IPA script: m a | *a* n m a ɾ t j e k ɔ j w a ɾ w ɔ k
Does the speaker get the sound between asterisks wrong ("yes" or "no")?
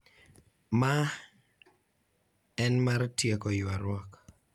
yes